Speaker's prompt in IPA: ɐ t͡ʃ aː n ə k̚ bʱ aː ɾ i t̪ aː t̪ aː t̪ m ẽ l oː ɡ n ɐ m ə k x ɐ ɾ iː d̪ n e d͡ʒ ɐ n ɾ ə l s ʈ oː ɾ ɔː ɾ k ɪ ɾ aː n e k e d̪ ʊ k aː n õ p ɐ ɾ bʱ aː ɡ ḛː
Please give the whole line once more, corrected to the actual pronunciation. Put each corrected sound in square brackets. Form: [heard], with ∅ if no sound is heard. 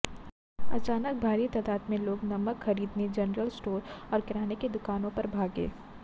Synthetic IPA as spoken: ɐ t͡ʃ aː n ə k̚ bʱ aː ɾ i t̪ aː [d̪] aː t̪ m ẽ l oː ɡ n ɐ m ə k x ɐ ɾ iː d̪ n e d͡ʒ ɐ n ɾ ə l s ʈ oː ɾ ɔː ɾ k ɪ ɾ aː n e k e d̪ ʊ k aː n õ p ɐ ɾ bʱ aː ɡ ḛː